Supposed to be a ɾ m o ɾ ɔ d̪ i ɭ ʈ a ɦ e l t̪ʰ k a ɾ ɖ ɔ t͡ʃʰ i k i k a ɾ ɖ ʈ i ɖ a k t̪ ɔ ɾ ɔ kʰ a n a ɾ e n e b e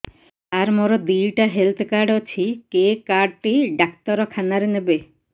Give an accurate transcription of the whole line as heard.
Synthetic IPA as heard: a ɾ m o ɾ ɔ d̪ i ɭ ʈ a ɦ e l t̪ʰ k a ɾ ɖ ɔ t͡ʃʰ i k e k a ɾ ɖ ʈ i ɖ a k t̪ ɔ ɾ ɔ kʰ a n a ɾ e n e b e